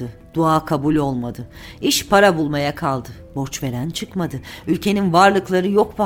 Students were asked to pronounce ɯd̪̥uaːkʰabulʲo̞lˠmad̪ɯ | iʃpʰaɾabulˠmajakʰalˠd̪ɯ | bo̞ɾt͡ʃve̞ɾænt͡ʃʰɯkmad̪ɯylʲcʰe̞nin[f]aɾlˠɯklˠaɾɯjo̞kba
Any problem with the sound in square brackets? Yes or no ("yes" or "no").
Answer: yes